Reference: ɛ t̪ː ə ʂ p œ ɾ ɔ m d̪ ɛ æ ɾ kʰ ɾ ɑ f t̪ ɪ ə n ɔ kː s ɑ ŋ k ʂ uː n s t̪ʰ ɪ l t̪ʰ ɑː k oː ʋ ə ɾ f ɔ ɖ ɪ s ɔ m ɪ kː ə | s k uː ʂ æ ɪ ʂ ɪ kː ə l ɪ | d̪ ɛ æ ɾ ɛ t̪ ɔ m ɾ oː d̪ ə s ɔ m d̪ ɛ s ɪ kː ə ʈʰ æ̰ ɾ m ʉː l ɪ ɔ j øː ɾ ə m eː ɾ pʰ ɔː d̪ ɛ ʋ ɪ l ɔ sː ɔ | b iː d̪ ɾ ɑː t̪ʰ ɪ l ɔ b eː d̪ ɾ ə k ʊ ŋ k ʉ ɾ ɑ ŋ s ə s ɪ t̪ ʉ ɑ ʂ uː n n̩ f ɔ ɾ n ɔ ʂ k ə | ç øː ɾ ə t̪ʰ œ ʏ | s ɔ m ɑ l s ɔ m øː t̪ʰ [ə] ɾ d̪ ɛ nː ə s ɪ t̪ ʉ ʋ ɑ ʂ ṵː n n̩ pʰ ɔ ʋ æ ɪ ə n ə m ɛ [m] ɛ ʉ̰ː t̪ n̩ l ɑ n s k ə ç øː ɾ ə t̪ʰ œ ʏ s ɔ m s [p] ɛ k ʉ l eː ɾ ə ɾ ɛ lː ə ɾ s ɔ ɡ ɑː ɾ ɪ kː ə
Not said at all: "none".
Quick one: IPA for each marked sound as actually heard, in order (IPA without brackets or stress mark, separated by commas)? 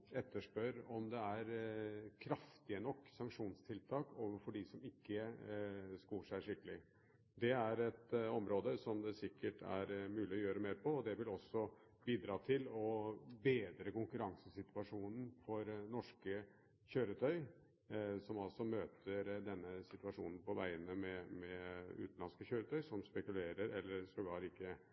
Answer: ə, m, p